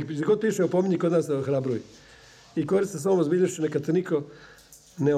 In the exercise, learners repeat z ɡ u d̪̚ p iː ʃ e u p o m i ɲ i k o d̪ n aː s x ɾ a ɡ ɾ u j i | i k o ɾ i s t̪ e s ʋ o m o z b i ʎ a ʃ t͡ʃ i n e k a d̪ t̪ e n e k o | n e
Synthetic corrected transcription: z ɡ o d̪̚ p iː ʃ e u p o m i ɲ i k o d̪ n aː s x ɾ a b ɾ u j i | i k o ɾ i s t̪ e s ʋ o m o z b i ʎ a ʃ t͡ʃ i n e k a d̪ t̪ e n i k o | n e